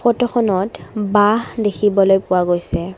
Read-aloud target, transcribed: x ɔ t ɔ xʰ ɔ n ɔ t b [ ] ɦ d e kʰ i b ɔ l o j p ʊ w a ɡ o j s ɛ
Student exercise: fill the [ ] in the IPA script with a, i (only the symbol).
a